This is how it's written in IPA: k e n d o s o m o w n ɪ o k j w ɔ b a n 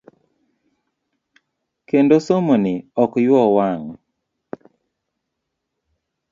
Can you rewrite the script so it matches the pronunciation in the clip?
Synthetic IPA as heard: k e n d o s o m o n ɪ ɔ k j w ɔ w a ŋ